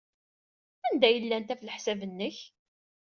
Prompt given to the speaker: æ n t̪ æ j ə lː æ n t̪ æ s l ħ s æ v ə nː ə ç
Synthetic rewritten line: æ n d̪ æ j ə lː æ n t̪ æ f l ħ s æ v ə nː ə ç